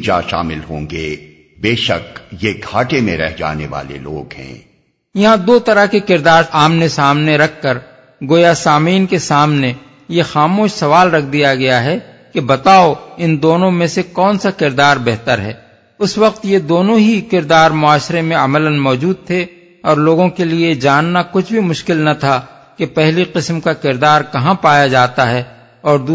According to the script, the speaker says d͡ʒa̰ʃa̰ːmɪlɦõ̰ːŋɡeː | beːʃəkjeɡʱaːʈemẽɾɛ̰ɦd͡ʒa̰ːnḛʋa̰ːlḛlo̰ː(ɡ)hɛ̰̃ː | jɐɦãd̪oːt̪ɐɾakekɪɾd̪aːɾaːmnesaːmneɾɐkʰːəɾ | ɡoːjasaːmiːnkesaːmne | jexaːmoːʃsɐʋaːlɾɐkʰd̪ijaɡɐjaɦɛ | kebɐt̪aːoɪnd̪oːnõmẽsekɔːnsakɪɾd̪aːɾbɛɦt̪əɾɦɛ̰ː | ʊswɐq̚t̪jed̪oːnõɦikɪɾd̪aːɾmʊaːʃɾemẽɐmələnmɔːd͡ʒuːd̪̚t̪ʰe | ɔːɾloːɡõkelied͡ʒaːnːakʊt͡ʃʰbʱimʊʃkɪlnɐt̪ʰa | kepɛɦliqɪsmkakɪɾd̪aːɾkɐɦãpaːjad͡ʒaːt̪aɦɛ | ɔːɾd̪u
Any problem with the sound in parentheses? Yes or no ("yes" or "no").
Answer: no